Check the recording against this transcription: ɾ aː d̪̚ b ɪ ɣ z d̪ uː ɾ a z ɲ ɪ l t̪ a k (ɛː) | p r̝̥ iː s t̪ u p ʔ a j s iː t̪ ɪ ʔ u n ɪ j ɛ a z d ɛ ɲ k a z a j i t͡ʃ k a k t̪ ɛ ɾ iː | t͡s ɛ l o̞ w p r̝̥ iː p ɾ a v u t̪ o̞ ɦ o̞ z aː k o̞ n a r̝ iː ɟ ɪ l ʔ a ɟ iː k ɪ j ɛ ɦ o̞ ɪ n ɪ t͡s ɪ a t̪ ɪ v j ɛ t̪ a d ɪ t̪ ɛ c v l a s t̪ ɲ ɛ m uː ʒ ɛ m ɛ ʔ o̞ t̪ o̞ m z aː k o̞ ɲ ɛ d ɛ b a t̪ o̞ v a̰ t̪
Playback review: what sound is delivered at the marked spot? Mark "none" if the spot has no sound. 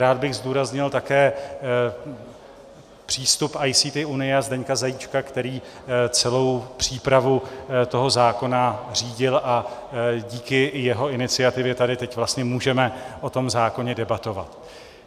ɛː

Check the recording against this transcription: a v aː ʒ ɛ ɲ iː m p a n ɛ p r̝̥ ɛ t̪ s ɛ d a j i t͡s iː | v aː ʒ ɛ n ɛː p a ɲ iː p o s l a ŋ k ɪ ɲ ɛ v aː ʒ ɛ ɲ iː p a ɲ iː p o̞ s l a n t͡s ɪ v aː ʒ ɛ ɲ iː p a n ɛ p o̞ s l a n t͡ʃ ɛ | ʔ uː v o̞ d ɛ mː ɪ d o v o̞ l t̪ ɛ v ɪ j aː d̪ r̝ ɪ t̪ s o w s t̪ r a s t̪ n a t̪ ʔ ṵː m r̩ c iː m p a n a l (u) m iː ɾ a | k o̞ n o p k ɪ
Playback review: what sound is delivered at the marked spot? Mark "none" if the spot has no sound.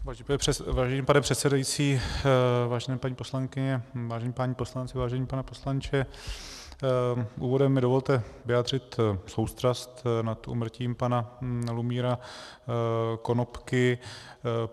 u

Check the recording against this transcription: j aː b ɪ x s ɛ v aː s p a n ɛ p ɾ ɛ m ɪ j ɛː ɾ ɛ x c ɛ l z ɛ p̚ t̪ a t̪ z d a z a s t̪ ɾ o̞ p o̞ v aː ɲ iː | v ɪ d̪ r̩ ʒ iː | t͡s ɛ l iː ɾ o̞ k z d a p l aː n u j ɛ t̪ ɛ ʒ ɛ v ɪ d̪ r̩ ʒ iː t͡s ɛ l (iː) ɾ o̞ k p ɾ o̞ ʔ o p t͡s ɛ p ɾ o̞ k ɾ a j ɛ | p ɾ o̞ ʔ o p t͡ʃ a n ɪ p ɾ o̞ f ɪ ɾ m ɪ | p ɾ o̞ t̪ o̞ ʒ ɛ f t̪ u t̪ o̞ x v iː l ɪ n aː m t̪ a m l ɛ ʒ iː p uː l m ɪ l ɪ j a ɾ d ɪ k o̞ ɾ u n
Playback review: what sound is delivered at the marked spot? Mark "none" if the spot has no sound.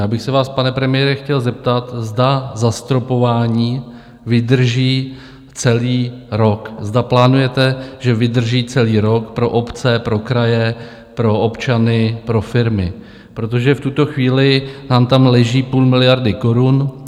iː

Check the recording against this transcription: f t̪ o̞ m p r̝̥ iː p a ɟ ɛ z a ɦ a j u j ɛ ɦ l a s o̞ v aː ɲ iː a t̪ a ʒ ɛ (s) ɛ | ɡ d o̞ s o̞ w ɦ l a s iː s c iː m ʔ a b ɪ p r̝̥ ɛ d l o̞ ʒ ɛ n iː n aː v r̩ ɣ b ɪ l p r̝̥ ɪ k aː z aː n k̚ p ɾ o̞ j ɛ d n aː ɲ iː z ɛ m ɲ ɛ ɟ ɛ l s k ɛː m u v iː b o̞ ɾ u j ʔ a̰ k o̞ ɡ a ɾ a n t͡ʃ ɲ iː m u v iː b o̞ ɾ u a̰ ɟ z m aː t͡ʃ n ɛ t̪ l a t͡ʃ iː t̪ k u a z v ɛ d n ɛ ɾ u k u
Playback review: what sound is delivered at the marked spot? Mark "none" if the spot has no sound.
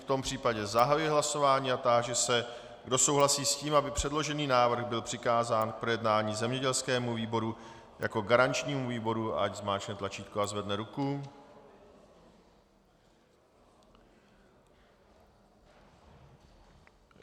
s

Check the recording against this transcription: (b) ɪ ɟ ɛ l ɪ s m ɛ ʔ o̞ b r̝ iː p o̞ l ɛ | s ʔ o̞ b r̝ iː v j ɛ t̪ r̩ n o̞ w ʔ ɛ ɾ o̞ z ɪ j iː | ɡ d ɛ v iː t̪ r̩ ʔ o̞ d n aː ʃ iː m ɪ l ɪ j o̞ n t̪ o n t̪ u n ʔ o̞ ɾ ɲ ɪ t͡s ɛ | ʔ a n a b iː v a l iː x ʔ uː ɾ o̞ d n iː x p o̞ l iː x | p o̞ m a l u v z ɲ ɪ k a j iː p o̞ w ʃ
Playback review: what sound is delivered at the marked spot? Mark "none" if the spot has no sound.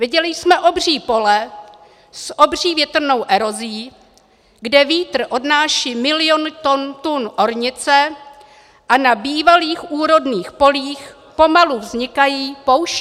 v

